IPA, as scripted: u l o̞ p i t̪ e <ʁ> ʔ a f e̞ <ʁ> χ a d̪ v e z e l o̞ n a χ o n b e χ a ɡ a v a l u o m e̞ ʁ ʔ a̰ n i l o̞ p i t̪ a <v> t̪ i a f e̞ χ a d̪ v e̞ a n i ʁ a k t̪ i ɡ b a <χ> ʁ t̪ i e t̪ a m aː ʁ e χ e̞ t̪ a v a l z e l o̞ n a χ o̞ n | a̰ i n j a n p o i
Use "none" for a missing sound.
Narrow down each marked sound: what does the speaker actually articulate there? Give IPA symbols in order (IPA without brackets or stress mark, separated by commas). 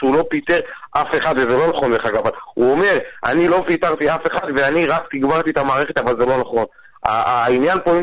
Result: ʁ, none, ʁ, none